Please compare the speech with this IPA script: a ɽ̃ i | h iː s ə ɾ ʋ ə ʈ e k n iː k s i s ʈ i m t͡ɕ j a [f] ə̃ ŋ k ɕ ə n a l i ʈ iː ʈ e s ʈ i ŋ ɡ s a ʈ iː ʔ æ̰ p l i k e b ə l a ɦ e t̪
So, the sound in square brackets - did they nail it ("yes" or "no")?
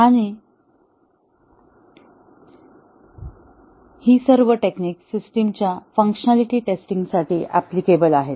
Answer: yes